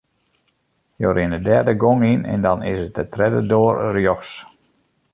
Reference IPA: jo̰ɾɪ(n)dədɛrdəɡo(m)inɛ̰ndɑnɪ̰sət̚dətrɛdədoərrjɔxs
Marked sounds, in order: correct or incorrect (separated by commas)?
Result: correct, incorrect